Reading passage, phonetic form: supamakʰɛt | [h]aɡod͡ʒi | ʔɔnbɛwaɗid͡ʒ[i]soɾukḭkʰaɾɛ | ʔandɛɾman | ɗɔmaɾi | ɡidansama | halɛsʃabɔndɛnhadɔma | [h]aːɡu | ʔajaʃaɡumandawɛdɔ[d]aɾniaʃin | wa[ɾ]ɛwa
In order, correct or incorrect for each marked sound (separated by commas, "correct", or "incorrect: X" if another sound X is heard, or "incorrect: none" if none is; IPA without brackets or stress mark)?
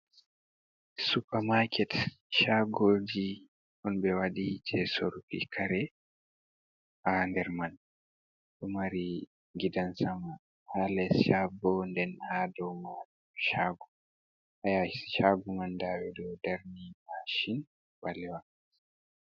incorrect: ʃ, incorrect: ɛ, incorrect: ʃ, correct, incorrect: l